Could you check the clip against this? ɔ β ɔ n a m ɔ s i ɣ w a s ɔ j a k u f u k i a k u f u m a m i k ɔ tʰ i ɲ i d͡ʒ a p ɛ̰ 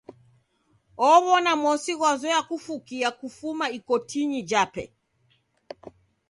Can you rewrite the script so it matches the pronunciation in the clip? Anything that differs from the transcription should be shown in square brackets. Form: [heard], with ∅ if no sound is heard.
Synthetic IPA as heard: ɔ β ɔ n a m ɔ s i ɣ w a [z] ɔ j a k u f u k i a k u f u m a [∅] i k ɔ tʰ i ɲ i d͡ʒ a p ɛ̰